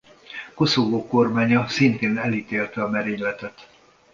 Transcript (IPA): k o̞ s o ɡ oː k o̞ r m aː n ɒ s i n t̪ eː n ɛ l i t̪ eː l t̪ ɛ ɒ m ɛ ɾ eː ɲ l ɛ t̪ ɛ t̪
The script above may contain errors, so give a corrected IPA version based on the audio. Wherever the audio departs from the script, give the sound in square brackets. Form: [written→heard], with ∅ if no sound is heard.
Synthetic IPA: k o̞ s o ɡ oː k o̞ r m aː [n→ɲ] ɒ s i n t̪ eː n ɛ l i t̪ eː l t̪ ɛ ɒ m ɛ ɾ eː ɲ l ɛ t̪ ɛ t̪